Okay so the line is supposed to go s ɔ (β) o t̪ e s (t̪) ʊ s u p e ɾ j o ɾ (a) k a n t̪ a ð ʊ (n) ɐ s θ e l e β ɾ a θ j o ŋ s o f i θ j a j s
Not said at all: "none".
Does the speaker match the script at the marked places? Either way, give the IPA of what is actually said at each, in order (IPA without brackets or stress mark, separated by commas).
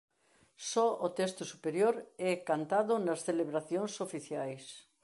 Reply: none, t̪, ɛ, n